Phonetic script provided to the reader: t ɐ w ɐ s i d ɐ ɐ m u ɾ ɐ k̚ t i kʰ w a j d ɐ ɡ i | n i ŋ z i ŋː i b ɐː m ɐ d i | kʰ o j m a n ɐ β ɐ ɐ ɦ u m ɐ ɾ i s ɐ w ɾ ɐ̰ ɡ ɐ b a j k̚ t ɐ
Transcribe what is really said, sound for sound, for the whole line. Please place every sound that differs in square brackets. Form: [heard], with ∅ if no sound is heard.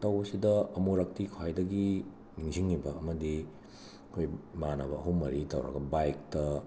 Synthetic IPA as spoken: t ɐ w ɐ s i d ɐ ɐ m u ɾ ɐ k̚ t i kʰ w a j d ɐ ɡ i | n i ŋ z i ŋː i b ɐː m ɐ d i | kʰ o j m a n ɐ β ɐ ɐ ɦ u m ɐ ɾ i [t] ɐ w ɾ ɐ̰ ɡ ɐ b a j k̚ t ɐ